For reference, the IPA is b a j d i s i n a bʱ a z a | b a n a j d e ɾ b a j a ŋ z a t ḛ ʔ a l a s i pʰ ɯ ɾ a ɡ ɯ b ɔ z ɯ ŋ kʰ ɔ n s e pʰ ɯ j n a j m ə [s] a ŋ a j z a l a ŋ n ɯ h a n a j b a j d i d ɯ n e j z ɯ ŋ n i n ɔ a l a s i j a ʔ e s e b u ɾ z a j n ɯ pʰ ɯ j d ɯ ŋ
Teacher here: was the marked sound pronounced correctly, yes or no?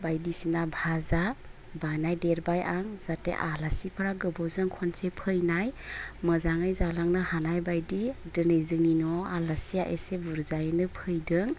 no